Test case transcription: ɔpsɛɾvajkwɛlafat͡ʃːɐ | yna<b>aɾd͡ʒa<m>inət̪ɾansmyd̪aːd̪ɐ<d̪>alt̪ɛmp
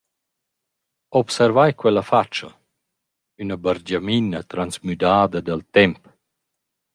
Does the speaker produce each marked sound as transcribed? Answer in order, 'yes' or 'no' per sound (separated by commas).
yes, yes, yes